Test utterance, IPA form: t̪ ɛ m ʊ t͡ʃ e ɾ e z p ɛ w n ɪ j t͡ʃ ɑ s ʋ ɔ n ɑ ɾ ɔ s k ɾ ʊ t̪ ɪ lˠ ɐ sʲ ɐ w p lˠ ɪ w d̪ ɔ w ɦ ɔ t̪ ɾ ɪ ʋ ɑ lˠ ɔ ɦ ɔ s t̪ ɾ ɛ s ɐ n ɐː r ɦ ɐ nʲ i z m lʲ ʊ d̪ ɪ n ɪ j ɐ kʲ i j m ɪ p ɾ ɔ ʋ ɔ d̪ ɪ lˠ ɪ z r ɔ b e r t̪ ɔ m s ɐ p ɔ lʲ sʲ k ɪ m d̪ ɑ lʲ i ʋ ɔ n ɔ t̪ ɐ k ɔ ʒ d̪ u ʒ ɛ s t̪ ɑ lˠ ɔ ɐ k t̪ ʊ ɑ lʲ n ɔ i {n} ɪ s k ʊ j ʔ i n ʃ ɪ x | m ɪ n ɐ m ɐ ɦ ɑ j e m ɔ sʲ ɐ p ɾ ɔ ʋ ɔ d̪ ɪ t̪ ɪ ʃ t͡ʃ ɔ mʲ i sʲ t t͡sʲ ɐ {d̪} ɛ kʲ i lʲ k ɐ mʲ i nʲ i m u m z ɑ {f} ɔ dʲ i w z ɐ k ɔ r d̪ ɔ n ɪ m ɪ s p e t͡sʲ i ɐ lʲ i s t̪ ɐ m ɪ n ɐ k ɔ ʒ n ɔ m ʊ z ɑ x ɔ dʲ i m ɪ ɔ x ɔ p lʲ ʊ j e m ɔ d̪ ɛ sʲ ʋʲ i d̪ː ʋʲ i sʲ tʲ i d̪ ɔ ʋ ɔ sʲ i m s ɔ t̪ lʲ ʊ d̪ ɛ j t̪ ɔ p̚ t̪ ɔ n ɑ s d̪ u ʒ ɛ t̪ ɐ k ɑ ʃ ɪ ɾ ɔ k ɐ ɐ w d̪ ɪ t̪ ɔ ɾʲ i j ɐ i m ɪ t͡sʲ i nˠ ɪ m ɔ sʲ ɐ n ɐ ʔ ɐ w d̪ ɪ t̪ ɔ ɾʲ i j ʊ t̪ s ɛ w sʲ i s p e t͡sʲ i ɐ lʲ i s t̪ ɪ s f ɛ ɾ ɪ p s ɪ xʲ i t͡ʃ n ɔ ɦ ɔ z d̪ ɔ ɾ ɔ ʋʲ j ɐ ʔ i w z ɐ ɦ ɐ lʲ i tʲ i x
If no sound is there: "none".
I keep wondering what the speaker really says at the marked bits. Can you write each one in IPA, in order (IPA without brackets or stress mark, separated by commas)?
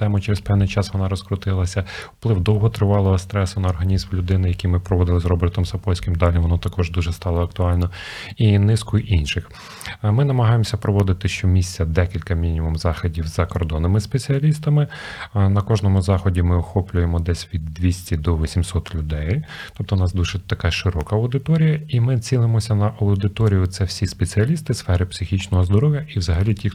n, d̪, x